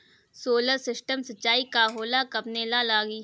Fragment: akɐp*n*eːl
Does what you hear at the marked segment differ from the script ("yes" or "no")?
no